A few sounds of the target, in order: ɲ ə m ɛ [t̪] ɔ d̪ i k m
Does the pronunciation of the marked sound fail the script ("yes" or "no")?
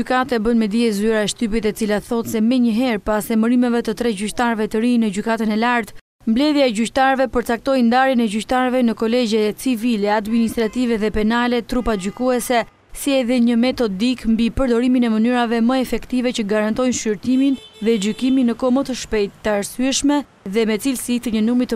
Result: no